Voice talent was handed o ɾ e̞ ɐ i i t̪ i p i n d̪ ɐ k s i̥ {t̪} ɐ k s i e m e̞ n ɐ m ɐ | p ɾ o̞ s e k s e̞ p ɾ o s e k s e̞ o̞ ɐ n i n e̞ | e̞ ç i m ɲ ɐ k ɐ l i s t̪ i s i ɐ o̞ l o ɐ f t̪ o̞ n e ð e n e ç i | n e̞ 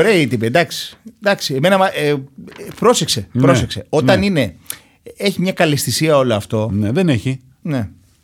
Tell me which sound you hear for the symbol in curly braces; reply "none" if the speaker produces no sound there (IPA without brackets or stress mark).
d̪